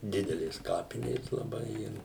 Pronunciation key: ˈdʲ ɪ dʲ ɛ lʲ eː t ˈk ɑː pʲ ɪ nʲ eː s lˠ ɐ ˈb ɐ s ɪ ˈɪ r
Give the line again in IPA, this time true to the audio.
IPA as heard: ˈdʲ ɪ dʲ ɛ lʲ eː s ˈk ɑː pʲ ɪ nʲ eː s lˠ ɐ ˈb ɐ ɪ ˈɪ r